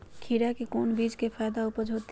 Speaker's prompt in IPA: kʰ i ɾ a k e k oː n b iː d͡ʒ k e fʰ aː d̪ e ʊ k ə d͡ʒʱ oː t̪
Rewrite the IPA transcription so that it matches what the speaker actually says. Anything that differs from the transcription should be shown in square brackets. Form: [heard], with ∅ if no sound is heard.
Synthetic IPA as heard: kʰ i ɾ a k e k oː n b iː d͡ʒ k e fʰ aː d̪ [a] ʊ [p] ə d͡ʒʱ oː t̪